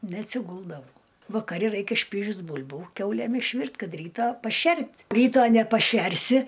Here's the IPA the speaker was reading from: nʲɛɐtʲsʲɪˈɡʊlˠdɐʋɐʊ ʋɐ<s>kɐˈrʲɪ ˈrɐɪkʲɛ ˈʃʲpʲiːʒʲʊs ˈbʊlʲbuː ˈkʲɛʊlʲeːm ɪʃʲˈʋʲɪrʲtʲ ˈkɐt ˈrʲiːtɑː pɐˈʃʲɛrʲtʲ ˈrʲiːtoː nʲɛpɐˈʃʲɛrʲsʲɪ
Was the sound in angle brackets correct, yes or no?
no